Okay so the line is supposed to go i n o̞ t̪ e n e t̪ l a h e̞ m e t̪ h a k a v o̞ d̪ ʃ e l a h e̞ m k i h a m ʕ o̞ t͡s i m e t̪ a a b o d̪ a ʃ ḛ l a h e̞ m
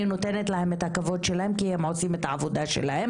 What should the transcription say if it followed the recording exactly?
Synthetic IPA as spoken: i n o̞ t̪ e n e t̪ l a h e̞ m e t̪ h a k a v o̞ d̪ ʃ e l a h e̞ m k i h e m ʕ o̞ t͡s i m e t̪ a a v o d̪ a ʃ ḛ l a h e̞ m